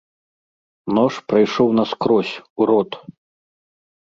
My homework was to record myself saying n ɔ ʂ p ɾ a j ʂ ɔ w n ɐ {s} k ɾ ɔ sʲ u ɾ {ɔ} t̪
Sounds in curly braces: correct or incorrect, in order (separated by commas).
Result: correct, correct